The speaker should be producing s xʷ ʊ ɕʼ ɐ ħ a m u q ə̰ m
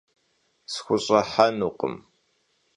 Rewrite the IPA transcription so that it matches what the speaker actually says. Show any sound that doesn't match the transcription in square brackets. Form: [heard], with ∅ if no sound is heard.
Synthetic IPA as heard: s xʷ ʊ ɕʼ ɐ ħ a [n] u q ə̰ m